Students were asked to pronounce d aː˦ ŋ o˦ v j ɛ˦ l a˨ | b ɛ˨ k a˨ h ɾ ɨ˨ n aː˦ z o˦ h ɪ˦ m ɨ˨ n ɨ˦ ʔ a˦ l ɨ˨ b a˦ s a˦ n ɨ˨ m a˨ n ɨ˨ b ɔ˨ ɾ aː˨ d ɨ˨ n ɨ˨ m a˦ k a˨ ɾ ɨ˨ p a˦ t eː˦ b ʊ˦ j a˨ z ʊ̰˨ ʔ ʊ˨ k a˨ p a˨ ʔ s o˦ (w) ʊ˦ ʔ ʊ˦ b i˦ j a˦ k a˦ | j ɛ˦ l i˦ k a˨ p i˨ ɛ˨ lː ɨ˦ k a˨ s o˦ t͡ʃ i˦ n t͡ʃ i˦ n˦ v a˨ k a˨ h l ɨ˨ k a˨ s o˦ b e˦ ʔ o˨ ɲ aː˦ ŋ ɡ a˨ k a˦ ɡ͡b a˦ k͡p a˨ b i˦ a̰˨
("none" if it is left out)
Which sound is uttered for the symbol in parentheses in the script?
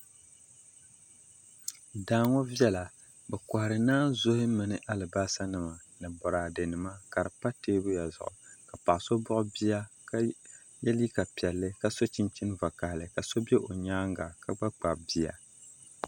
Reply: b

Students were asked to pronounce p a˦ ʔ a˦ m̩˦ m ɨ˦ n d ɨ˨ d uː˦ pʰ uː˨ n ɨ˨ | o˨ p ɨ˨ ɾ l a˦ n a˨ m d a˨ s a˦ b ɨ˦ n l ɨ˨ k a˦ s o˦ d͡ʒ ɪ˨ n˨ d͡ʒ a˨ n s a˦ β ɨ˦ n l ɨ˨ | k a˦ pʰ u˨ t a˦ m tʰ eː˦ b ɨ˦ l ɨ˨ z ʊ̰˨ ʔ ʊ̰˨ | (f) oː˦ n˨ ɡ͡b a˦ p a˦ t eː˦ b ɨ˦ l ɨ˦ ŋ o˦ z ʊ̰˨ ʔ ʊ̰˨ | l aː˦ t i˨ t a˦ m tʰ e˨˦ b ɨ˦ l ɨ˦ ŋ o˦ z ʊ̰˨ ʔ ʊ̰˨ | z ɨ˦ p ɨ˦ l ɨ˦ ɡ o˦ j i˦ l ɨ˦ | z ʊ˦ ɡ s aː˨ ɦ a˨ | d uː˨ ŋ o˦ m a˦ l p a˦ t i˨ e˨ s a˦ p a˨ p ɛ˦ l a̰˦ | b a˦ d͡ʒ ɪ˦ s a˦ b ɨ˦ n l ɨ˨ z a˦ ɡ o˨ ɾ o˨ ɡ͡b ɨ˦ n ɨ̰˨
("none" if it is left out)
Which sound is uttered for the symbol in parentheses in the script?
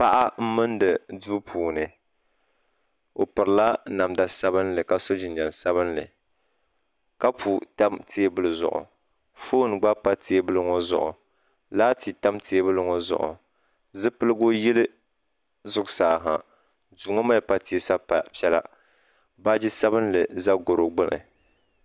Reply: f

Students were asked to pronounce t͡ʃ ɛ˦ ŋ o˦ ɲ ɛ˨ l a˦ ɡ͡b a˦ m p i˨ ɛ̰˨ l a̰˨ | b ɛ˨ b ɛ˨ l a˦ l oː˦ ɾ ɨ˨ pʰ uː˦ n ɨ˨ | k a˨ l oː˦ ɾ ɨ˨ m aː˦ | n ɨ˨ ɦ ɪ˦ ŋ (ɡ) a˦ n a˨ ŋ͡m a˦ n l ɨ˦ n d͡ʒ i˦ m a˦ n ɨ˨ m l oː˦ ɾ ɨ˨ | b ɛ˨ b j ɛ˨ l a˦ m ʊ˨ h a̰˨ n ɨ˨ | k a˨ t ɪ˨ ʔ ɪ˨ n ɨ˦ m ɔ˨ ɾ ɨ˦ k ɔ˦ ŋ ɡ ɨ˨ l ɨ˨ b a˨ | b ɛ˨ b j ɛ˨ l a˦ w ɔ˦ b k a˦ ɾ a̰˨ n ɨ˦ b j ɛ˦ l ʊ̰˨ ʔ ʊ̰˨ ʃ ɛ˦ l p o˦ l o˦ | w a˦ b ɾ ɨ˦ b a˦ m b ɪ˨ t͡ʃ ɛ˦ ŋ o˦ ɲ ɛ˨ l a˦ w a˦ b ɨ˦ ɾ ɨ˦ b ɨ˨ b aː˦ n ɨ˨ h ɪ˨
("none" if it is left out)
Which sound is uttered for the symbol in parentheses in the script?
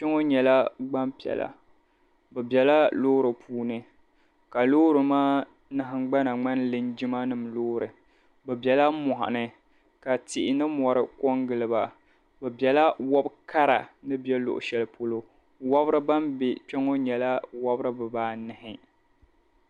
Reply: ɡ͡b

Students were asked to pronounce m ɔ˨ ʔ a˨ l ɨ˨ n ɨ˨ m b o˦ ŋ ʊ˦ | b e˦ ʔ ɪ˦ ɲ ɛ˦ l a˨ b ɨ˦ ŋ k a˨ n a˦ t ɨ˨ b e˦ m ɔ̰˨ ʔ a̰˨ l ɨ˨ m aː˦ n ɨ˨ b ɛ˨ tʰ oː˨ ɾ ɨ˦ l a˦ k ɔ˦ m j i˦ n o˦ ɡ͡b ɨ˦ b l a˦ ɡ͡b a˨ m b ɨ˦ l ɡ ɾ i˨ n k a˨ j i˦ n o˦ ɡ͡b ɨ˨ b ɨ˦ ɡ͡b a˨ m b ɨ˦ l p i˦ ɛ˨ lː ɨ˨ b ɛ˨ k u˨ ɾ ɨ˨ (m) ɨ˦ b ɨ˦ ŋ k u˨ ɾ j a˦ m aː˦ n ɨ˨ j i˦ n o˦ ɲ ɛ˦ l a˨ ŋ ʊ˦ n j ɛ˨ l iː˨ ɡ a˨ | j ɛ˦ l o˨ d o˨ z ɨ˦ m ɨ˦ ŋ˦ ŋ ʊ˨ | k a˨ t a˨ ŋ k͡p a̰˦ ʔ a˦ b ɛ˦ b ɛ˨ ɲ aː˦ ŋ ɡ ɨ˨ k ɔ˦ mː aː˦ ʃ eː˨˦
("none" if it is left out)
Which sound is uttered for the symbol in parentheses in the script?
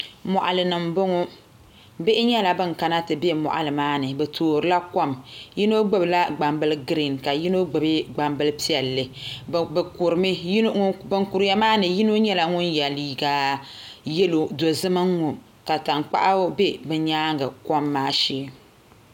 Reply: m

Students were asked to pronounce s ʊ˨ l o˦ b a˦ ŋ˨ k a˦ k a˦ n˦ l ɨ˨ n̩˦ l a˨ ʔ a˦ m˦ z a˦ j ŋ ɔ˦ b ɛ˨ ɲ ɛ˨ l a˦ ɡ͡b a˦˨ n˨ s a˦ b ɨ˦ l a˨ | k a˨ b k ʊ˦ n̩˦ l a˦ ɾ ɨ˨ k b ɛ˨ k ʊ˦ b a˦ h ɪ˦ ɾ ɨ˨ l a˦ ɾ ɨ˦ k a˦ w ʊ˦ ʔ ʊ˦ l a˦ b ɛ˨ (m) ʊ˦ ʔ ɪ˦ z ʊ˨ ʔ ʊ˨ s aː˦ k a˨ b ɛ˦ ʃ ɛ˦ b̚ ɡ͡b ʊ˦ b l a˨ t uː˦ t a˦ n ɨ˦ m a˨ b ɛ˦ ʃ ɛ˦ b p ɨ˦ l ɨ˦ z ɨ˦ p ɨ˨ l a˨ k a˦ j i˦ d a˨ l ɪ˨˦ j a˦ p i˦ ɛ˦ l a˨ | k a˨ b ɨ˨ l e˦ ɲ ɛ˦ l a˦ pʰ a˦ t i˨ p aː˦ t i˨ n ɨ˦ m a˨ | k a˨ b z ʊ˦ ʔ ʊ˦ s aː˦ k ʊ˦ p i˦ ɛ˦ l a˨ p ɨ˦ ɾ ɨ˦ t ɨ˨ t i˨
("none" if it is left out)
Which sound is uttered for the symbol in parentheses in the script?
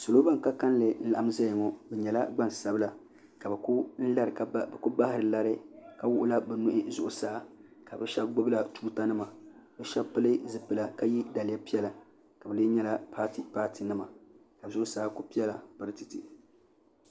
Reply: n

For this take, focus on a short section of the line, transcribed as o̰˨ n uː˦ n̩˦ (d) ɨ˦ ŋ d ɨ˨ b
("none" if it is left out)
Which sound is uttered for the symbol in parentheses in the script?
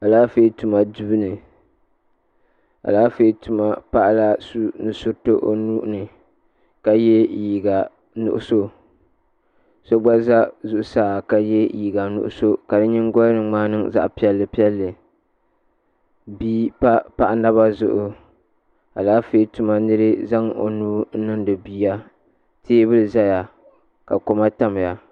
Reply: n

